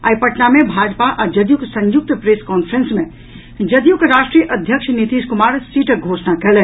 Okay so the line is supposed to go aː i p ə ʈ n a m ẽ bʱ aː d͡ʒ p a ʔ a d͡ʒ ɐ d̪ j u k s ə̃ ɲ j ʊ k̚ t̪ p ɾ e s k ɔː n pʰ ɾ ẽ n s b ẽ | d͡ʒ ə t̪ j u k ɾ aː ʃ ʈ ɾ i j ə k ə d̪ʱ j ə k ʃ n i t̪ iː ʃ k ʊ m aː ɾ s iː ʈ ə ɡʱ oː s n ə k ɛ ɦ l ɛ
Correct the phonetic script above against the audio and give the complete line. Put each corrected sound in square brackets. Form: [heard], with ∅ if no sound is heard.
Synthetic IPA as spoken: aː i p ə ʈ n a m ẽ bʱ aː d͡ʒ p a ʔ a d͡ʒ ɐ d̪ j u k s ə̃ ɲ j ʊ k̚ t̪ p ɾ e s k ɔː n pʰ ɾ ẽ n s [m] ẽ | d͡ʒ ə [d̪] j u k ɾ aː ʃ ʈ ɾ i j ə [ʔ] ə d̪ʱ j ə k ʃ n i t̪ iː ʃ k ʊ m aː ɾ s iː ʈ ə ɡʱ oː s n [a] k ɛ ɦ l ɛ